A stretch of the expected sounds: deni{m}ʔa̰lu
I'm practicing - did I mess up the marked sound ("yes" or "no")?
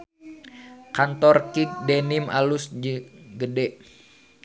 no